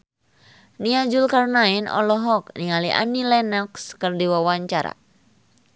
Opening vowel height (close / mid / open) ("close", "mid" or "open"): close